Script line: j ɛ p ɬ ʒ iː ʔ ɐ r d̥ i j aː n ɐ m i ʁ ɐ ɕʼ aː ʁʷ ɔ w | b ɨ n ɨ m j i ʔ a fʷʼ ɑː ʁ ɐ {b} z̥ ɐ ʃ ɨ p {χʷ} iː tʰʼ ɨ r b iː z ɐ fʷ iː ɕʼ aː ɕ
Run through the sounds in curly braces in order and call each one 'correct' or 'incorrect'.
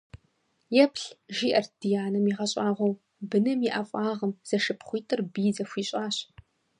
incorrect, correct

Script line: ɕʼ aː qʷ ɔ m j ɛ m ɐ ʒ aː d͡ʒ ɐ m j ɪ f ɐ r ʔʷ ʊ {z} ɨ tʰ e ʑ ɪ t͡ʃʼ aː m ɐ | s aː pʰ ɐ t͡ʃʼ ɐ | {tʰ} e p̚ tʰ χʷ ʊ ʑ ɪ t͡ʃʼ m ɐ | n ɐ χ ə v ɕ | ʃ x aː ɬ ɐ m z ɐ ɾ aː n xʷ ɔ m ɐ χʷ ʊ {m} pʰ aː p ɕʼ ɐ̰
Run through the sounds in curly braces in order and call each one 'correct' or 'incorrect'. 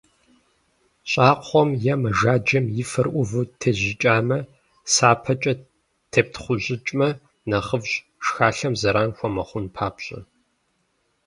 incorrect, correct, incorrect

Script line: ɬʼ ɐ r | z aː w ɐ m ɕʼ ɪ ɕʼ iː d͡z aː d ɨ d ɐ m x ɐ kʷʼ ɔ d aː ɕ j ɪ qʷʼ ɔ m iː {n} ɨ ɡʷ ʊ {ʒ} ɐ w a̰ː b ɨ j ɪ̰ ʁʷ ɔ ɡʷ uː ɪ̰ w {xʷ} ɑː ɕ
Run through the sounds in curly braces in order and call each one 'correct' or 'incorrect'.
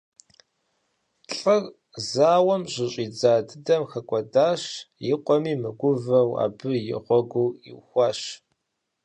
incorrect, incorrect, correct

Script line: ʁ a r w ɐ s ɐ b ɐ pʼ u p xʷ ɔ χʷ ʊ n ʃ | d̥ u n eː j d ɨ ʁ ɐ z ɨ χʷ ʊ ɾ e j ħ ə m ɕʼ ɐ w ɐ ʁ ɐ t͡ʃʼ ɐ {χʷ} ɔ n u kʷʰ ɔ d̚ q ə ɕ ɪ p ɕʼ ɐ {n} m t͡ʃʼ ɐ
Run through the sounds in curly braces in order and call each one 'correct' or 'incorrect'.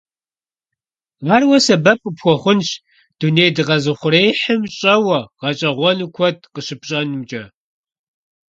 incorrect, correct

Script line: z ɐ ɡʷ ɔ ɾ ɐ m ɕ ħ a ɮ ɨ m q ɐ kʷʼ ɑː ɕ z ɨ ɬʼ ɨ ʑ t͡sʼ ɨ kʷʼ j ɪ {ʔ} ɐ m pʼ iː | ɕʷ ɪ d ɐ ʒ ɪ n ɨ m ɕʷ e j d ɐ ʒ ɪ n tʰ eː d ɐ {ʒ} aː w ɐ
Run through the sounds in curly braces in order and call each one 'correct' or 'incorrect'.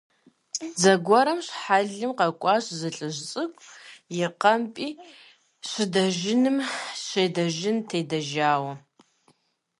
incorrect, correct

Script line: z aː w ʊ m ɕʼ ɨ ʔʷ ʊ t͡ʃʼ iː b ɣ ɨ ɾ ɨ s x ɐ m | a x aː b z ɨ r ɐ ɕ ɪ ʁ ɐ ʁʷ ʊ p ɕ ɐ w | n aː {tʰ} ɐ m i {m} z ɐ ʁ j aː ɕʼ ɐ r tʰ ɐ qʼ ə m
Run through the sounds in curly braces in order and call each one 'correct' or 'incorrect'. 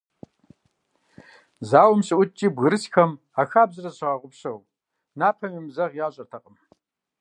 incorrect, correct

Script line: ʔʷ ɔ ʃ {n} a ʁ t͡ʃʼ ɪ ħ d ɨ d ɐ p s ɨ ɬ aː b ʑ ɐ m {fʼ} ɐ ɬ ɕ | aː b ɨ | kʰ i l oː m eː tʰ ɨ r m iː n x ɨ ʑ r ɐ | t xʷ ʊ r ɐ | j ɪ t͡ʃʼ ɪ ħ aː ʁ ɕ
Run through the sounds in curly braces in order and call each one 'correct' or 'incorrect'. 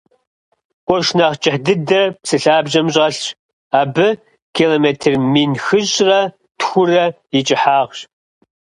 correct, incorrect

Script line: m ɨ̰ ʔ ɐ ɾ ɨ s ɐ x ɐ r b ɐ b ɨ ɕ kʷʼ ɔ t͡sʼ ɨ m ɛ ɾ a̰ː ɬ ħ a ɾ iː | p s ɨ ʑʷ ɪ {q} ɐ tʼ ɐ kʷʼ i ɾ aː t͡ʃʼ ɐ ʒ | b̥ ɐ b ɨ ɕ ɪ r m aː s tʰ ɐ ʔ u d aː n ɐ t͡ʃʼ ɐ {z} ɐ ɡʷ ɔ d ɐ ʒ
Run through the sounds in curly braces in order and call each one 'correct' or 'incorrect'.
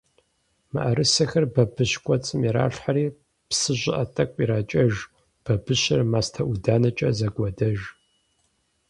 incorrect, correct

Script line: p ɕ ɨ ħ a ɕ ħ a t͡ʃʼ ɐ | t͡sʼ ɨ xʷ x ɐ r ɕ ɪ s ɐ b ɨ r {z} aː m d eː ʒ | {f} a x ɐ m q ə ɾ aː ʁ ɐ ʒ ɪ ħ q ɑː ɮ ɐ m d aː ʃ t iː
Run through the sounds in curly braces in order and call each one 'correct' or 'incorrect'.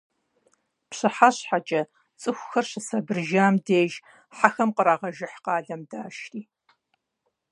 incorrect, incorrect

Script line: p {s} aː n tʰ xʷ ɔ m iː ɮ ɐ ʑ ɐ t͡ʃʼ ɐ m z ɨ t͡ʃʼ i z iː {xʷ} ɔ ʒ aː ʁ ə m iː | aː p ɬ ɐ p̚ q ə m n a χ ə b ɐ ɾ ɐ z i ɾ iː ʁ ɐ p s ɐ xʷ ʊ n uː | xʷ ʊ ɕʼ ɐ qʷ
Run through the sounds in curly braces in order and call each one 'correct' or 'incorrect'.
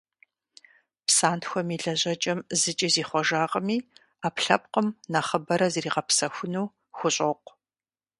correct, incorrect

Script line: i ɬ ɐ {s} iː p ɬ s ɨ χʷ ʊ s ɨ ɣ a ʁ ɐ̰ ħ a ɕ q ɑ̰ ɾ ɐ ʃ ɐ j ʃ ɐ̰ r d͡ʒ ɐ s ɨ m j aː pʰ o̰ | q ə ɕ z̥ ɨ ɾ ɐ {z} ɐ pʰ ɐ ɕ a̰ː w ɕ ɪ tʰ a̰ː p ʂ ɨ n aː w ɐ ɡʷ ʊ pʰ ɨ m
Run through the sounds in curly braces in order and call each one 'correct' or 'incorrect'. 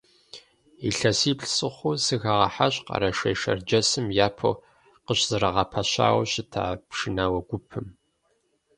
correct, incorrect

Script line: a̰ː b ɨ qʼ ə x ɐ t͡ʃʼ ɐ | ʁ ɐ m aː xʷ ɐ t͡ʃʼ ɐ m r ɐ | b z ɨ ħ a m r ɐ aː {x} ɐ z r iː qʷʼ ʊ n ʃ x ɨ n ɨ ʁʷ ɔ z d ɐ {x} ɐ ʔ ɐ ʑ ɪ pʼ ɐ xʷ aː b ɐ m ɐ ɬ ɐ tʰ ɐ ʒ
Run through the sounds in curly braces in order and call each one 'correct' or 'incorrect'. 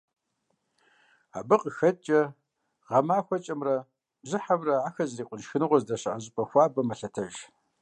correct, incorrect

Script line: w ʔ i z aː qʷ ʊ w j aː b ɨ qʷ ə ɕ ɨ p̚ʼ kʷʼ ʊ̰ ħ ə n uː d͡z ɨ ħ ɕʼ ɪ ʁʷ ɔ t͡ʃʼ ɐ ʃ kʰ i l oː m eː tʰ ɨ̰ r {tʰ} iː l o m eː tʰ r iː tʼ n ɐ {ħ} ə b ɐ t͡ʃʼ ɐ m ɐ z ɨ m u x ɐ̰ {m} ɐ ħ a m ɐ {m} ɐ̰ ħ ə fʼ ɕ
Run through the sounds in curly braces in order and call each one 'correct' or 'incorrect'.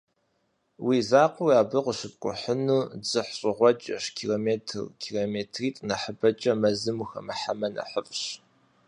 incorrect, correct, correct, incorrect

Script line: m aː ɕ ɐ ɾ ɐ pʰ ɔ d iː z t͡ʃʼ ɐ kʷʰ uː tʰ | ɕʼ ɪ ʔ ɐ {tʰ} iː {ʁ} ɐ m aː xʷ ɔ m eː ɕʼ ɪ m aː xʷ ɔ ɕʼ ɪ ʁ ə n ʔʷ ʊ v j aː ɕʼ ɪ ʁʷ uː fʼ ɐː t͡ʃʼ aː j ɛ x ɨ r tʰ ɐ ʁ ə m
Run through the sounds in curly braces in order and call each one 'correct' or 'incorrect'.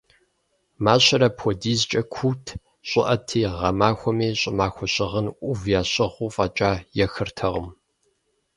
correct, correct

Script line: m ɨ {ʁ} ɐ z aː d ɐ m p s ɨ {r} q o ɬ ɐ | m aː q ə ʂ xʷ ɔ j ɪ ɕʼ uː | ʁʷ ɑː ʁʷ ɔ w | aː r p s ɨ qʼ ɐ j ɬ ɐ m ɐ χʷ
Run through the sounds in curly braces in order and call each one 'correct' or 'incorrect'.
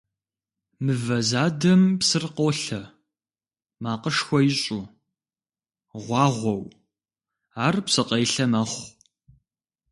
incorrect, correct

